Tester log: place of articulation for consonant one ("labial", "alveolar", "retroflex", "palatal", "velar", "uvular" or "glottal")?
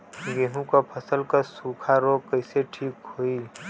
velar